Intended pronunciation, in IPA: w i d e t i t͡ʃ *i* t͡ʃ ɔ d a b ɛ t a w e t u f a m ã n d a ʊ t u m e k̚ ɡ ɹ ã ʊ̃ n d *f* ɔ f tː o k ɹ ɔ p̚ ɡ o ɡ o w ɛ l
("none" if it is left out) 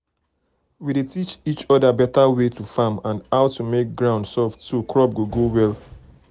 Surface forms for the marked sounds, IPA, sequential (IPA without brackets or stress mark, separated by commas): i, s